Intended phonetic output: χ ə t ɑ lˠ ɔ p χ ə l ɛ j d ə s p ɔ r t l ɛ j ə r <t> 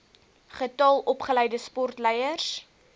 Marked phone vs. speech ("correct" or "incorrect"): incorrect